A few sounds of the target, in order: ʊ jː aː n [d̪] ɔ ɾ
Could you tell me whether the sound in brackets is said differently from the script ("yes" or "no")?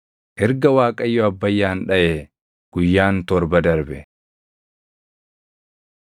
yes